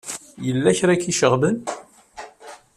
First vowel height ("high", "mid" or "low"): mid